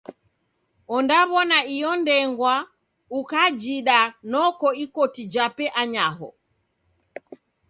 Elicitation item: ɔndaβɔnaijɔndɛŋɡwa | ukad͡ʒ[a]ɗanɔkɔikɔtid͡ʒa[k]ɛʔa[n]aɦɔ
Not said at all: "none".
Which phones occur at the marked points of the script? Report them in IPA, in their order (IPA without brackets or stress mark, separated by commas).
i, p, ɲ